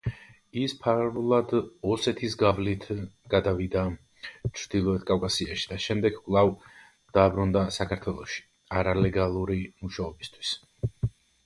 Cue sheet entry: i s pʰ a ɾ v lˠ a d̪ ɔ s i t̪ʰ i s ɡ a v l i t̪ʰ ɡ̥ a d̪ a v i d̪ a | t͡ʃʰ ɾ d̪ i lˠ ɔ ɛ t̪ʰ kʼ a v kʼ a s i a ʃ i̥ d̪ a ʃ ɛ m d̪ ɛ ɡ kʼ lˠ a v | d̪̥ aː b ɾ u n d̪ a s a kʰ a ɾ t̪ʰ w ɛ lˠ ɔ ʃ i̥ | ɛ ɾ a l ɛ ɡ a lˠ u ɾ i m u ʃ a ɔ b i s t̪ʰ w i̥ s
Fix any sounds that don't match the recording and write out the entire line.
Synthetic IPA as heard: i s pʰ a ɾ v lˠ a d̪ ɔ s ɛ t̪ʰ i s ɡ a v l i t̪ʰ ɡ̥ a d̪ a v i d̪ a | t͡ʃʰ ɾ d̪ i lˠ ɔ ɛ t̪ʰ kʼ a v kʼ a s i a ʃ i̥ d̪ a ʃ ɛ m d̪ ɛ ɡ kʼ lˠ a v | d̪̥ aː b ɾ u n d̪ a s a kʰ a ɾ t̪ʰ w ɛ lˠ ɔ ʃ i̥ | a ɾ a l ɛ ɡ a lˠ u ɾ i m u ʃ a ɔ b i s t̪ʰ w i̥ s